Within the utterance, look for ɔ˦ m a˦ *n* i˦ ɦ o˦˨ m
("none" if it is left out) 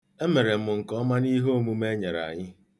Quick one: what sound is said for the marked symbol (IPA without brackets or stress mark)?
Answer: n